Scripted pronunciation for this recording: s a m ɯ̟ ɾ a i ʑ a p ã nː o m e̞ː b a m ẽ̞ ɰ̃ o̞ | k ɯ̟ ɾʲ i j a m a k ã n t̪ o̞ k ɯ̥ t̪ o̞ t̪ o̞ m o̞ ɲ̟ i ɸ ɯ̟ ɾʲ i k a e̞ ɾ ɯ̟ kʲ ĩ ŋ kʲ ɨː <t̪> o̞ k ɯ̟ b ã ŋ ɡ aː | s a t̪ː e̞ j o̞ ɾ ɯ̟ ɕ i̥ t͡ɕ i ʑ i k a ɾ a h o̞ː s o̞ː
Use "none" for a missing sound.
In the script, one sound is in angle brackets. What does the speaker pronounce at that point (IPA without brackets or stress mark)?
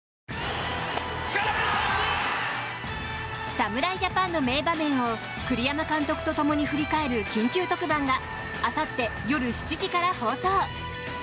t̪